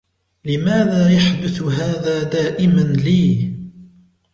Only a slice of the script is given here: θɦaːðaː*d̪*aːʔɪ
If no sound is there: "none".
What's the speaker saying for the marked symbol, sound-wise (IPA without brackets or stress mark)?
d̪